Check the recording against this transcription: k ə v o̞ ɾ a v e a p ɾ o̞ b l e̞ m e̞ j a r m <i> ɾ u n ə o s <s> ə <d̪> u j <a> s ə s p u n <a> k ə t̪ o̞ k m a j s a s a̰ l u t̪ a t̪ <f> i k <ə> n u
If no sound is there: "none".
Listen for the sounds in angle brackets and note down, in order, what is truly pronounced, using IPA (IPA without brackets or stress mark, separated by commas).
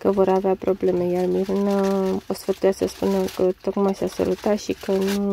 i, f, t̪, a, ə, ʃ, ə